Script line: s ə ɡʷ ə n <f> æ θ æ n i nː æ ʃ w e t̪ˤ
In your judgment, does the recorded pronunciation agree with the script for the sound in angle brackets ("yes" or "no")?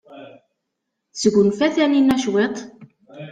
yes